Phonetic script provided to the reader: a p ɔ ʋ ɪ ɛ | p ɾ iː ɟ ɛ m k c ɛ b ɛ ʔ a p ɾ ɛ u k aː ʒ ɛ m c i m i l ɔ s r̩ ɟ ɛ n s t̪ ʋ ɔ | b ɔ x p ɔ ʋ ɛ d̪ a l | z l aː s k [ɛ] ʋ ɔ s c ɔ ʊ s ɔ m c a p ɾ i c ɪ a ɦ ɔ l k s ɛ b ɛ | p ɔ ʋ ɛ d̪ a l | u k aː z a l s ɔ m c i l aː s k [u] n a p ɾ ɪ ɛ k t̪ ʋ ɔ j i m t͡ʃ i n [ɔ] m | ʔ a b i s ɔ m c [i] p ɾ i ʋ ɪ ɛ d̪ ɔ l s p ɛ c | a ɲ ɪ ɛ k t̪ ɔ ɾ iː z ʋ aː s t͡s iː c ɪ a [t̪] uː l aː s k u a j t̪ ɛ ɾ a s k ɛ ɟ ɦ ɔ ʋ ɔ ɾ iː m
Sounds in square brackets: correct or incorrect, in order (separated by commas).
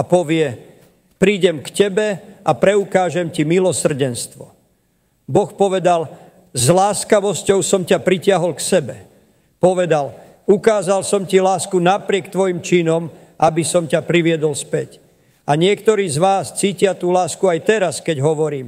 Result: incorrect, correct, correct, incorrect, correct